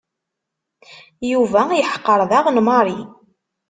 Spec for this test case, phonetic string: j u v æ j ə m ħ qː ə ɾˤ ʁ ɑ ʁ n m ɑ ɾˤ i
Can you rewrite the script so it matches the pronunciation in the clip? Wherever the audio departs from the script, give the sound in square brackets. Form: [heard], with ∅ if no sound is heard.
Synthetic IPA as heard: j u v æ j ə [∅] ħ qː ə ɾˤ [ð] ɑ ʁ n m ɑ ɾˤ i